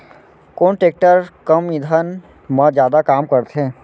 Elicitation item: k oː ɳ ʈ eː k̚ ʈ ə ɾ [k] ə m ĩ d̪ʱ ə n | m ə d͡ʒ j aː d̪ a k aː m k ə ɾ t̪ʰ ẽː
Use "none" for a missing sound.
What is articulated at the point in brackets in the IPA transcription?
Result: k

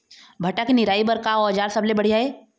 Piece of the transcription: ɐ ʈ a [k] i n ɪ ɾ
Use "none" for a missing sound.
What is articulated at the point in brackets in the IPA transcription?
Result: k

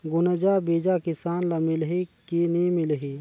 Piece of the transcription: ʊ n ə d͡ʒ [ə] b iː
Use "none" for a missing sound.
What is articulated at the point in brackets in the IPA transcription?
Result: a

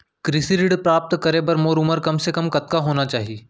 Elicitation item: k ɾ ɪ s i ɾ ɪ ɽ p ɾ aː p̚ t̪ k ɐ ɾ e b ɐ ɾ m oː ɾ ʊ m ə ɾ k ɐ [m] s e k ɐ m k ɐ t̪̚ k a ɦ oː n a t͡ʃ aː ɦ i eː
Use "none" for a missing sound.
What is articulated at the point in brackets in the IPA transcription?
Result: m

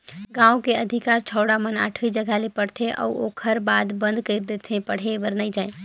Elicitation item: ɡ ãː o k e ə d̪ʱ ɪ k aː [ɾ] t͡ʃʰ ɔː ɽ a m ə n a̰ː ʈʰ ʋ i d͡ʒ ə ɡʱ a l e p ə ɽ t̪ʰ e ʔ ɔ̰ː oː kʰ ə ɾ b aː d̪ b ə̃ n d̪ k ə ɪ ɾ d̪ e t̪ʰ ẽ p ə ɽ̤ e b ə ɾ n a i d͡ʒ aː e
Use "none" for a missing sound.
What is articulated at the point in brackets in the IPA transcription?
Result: ɾ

